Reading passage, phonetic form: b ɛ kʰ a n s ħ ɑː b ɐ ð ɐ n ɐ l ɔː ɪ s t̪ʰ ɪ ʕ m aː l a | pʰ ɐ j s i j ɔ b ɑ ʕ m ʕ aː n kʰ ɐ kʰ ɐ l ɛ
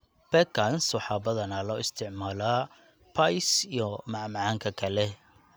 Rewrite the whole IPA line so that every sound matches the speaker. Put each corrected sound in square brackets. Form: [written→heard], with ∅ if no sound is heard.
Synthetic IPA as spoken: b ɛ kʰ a n s ħ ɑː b ɐ ð ɐ n ɐ l ɔː ɪ s t̪ʰ ɪ ʕ m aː l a | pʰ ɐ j s i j ɔ [b→m] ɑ ʕ m ʕ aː [n→ŋ] kʰ ɐ kʰ ɐ l ɛ